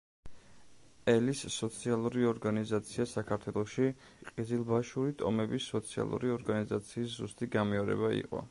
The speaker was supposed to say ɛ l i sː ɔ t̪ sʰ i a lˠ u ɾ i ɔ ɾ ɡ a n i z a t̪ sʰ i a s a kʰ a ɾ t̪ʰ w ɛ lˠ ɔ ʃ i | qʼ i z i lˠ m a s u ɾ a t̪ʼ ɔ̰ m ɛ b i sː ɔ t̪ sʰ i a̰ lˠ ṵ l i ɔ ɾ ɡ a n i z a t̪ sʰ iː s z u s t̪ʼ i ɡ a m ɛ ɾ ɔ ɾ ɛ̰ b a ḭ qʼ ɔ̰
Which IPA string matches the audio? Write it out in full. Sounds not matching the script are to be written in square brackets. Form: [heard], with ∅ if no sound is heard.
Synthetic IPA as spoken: ɛ l i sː ɔ t̪ sʰ i a lˠ u ɾ i ɔ ɾ ɡ a n i z a t̪ sʰ i a s a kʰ a ɾ t̪ʰ w ɛ lˠ ɔ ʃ i | qʼ i z i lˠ [b] a [ʃ] u ɾ [i] t̪ʼ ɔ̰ m ɛ b i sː ɔ t̪ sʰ i a̰ lˠ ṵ [ɾ] i ɔ ɾ ɡ a n i z a t̪ sʰ iː s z u s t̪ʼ i ɡ a m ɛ [∅] ɔ ɾ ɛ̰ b a ḭ qʼ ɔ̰